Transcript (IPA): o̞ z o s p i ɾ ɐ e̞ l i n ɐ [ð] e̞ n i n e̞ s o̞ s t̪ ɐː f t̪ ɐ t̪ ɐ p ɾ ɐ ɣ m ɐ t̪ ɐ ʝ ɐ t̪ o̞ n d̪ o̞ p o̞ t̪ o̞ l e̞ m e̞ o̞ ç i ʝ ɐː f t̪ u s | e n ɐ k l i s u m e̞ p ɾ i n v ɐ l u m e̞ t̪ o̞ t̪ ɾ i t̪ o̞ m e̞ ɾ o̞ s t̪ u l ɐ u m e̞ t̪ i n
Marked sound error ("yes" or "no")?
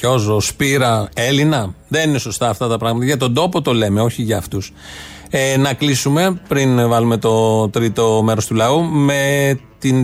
no